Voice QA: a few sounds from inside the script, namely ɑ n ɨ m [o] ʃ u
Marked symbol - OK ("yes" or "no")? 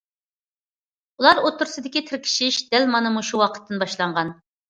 no